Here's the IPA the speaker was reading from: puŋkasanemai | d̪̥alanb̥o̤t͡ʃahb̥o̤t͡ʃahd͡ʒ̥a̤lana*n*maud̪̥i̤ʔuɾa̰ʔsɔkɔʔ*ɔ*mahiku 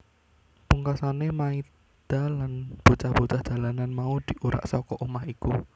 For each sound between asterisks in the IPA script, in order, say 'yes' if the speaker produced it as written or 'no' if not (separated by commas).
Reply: yes, no